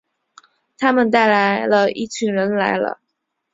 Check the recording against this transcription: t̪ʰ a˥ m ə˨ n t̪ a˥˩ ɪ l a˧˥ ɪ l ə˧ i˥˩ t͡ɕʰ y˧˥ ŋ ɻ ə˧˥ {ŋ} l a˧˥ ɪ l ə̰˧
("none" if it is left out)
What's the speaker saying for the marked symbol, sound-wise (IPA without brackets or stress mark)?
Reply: n